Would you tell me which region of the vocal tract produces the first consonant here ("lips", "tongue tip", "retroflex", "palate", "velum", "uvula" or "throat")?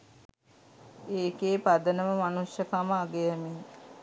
velum